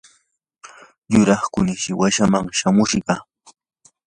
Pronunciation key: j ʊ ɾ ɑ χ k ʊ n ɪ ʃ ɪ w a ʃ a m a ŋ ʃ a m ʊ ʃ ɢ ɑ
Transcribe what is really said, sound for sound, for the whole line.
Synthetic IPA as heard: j ʊ ɾ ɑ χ k ʊ n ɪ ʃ ɪ w a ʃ a m a ŋ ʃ a m ʊ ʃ ɢ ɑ